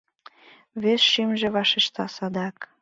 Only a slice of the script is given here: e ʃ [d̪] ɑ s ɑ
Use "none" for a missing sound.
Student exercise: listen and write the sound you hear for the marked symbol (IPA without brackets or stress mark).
t̪